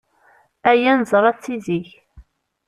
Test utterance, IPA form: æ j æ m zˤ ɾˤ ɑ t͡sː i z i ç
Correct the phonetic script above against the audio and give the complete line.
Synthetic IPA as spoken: æ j æ n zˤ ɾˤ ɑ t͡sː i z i ç